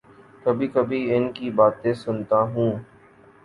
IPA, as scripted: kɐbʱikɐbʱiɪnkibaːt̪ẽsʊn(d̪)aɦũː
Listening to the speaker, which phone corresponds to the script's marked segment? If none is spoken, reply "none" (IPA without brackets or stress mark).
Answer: t̪